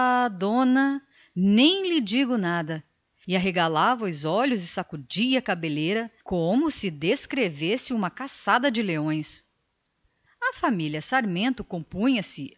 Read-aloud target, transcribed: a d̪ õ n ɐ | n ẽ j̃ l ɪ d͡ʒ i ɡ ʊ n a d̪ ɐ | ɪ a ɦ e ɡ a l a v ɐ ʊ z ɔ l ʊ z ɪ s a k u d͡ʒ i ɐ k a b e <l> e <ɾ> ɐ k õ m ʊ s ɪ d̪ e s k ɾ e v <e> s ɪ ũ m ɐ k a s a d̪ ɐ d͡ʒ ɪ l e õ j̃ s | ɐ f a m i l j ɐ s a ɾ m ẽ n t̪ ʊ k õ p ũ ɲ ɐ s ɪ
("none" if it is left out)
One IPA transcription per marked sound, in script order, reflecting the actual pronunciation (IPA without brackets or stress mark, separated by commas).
l, ɾ, e